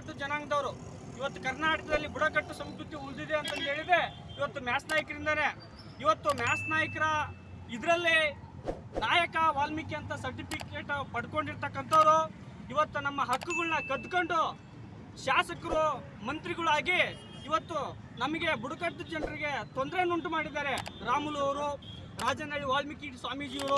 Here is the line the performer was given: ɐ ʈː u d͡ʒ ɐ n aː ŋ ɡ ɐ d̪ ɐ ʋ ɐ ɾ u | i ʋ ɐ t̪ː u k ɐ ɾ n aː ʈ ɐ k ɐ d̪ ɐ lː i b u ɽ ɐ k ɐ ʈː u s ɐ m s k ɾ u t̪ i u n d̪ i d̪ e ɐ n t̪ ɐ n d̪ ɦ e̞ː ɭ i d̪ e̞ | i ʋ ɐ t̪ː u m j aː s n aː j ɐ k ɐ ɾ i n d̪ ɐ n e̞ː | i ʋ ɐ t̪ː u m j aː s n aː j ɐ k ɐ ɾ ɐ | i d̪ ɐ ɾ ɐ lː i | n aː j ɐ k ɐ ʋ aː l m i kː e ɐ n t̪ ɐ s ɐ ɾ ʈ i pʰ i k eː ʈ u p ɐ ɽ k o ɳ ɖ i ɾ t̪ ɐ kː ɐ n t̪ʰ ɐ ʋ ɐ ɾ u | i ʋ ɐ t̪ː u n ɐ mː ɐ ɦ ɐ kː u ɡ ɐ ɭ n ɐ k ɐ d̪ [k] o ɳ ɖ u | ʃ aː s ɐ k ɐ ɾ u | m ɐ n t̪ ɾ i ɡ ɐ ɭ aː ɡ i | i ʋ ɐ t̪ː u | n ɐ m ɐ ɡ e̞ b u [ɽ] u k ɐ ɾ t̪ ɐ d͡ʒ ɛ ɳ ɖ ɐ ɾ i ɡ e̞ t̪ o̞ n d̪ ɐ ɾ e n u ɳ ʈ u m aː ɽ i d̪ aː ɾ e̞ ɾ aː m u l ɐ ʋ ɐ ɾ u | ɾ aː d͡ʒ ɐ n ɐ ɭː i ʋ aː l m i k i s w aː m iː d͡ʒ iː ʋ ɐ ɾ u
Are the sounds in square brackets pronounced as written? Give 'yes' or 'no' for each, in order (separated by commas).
yes, yes